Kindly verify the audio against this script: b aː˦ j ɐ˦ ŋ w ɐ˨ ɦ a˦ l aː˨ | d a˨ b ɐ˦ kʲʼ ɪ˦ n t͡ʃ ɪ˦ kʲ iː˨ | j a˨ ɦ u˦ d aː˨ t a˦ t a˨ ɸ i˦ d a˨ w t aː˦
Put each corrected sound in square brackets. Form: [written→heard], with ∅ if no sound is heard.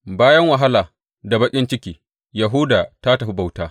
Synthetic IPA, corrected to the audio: b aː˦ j ɐ˦ ŋ w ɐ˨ ɦ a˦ l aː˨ | d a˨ b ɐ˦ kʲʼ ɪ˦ n t͡ʃ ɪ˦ kʲ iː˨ | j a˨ ɦ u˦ d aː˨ t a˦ t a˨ ɸ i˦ [d→b] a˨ w t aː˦